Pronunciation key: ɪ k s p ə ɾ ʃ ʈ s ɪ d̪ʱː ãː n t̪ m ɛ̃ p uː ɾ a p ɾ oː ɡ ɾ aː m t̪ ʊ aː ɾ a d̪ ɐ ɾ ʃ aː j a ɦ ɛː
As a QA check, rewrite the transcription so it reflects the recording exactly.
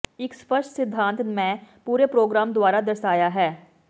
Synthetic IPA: ɪ k s p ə ɾ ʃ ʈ s ɪ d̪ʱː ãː n t̪ m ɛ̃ p uː ɾ e p ɾ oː ɡ ɾ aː m d̪ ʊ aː ɾ a d̪ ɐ ɾ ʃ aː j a ɦ ɛː